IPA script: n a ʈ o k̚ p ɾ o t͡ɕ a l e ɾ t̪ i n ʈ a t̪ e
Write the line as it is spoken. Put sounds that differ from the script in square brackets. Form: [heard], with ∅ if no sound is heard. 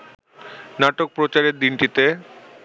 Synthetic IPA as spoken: n a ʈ o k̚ p ɾ o t͡ɕ a [ɾ] e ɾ [d̪] i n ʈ [i] t̪ e